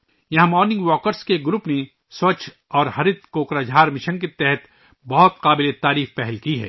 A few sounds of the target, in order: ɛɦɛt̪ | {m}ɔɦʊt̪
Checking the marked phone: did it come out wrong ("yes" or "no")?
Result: yes